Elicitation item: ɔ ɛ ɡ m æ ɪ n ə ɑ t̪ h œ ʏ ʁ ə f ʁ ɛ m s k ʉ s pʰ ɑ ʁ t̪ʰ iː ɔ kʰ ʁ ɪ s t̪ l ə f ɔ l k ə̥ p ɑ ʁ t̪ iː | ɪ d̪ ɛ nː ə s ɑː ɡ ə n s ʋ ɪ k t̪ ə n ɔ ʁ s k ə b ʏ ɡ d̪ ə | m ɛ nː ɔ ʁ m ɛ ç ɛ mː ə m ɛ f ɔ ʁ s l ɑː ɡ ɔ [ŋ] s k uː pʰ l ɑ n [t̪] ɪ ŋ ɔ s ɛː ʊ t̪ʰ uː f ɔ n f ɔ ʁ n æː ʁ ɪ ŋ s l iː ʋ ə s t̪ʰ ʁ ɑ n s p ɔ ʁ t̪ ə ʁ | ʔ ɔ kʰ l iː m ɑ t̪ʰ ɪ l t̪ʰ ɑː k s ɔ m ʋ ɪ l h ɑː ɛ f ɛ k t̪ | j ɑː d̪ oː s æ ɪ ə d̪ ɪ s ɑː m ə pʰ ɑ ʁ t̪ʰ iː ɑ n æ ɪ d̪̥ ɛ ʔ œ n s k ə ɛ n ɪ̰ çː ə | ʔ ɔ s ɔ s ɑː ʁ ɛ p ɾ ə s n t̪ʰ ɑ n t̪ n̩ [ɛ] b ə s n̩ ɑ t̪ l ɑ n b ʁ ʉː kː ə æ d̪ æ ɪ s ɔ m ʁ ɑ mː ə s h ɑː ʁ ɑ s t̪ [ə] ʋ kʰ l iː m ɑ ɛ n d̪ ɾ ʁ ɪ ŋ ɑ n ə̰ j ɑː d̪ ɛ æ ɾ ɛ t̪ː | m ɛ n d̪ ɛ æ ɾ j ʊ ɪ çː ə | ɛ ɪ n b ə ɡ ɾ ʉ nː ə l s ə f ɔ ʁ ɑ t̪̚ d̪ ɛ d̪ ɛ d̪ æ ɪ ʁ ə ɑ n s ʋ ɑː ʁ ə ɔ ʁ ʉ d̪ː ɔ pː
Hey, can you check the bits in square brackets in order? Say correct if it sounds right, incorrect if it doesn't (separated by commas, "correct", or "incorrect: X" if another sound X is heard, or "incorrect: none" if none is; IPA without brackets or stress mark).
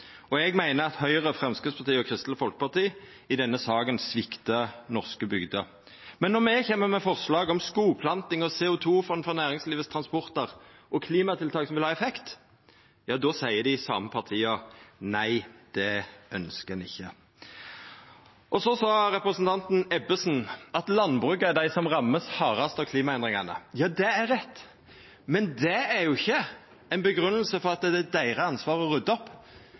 incorrect: m, correct, correct, incorrect: ɑ